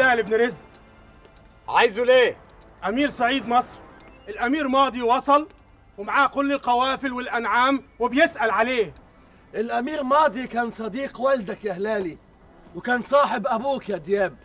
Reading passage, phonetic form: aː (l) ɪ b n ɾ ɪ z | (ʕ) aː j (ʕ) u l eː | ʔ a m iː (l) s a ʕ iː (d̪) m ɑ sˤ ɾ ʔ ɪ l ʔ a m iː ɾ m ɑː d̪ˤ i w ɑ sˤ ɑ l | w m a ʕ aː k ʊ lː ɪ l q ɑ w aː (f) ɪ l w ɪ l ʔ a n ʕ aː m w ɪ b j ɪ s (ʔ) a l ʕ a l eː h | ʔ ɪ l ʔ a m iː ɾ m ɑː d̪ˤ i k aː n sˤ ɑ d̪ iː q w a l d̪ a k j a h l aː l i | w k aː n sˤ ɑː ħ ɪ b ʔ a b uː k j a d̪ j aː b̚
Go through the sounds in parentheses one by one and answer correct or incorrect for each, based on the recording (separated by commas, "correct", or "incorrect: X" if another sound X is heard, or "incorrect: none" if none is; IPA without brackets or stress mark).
correct, correct, incorrect: z, incorrect: ɾ, correct, correct, correct